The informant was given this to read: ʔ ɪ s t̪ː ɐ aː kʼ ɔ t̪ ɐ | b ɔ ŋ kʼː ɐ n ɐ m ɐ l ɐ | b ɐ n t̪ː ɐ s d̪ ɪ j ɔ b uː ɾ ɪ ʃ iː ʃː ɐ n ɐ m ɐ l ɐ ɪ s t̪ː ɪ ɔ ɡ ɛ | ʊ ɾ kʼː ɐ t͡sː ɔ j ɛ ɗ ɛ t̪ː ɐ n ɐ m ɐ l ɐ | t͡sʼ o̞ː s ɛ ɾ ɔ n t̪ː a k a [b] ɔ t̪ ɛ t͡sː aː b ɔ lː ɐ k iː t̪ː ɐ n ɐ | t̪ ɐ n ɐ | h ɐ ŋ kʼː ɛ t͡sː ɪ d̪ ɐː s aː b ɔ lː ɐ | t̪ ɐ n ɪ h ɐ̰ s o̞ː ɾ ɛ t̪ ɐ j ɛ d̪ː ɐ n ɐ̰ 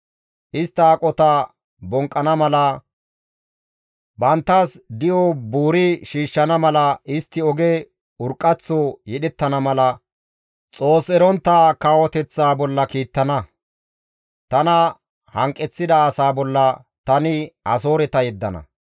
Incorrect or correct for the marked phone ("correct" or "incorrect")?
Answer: incorrect